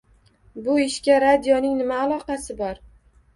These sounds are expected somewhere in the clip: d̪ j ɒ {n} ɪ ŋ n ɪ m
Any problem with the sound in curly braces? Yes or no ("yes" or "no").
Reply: no